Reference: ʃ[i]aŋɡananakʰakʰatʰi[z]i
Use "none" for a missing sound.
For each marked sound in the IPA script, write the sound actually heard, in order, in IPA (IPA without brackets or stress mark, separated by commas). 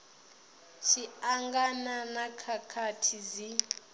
i, z